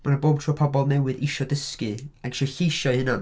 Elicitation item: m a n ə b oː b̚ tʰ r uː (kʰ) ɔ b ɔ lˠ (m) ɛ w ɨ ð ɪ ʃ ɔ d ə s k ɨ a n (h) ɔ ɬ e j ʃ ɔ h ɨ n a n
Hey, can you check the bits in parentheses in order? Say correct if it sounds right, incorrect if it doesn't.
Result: incorrect: pʰ, incorrect: n, incorrect: ʃ

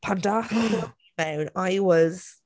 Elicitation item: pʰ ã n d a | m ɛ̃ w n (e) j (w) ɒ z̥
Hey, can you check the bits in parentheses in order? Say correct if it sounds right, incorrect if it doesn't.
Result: incorrect: a, correct

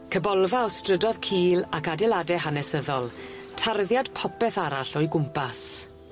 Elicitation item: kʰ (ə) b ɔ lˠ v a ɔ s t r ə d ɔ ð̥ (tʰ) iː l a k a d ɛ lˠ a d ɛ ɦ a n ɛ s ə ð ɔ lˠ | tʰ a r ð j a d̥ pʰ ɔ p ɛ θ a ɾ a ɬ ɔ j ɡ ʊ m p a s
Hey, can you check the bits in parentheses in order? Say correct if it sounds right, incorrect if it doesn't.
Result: correct, incorrect: kʰ

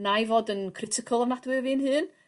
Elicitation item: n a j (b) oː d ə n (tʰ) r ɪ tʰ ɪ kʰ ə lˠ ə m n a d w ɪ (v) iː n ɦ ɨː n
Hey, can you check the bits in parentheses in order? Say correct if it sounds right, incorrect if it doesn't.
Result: incorrect: v, incorrect: kʰ, correct

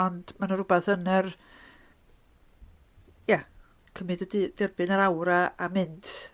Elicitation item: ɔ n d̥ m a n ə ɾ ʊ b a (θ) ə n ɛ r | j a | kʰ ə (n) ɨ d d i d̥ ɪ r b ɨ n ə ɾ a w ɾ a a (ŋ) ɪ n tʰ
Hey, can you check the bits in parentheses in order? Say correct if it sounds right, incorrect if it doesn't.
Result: correct, incorrect: m, incorrect: m

